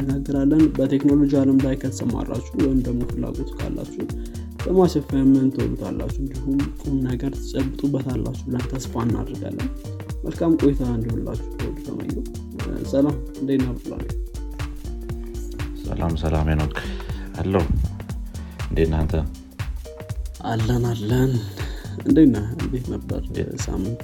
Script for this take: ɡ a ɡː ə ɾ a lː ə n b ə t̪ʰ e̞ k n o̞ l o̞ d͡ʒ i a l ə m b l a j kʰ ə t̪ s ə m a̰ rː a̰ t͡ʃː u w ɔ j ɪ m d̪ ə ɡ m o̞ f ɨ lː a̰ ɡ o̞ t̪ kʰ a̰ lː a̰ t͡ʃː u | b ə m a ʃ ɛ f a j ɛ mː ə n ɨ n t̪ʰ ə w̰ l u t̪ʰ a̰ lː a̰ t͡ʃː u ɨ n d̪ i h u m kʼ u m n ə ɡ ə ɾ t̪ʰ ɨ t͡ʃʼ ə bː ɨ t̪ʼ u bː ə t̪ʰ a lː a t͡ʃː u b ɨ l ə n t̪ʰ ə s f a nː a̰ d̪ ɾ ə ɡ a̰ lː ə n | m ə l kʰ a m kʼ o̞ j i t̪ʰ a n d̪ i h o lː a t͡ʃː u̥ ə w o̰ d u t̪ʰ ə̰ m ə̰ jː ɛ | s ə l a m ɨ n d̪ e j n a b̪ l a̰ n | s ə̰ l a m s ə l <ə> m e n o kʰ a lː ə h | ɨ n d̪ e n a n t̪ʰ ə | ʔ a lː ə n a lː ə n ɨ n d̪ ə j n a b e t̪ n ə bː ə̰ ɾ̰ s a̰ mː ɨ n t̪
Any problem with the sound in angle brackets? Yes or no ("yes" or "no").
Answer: yes